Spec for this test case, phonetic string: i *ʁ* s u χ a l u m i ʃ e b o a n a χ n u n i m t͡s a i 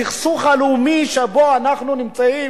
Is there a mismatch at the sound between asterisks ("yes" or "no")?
yes